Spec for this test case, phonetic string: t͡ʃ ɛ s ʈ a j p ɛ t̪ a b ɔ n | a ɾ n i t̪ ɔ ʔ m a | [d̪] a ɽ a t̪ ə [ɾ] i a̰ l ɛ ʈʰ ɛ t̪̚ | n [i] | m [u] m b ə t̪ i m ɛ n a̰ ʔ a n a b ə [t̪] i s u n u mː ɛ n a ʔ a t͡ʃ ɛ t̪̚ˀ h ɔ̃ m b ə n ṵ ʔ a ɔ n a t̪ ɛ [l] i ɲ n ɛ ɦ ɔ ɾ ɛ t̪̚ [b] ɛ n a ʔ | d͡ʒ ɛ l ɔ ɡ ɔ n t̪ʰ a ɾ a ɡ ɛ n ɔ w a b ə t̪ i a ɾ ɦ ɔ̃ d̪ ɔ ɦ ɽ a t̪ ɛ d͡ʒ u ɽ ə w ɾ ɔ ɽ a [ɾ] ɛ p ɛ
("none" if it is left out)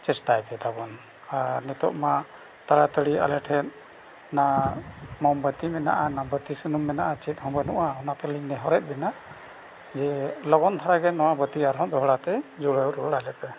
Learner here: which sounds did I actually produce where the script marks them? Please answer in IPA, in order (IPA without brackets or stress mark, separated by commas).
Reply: t̪, ɽ, a, ɔ, t̪, l, b, l